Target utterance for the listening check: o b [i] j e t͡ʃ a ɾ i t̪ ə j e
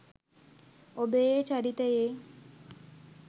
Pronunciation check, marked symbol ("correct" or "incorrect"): incorrect